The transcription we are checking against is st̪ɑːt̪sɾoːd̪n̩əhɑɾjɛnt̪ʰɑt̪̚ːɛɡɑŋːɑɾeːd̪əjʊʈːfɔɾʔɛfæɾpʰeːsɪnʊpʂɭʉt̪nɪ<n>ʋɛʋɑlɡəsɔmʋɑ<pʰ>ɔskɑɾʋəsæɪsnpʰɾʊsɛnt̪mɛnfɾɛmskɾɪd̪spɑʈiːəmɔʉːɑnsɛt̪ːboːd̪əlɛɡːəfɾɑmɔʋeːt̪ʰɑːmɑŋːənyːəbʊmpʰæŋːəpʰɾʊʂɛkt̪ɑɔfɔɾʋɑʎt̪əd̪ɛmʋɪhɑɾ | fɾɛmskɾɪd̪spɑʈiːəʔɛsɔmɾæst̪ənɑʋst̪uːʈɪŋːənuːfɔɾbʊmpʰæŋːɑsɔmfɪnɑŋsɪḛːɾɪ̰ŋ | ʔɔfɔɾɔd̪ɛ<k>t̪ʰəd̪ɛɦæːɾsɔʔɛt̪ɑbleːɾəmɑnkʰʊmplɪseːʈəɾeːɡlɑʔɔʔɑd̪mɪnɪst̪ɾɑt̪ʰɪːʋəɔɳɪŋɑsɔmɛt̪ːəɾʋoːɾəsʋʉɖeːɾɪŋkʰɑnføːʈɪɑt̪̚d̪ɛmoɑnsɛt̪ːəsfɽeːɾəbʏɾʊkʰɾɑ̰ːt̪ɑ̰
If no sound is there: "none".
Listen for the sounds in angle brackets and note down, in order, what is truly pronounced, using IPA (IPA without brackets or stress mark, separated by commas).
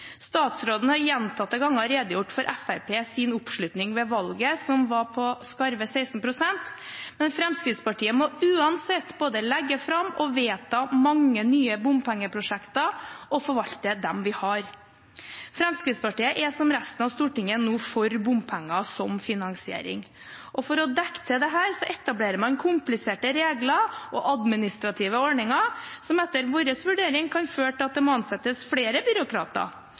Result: ŋ, pʰ, k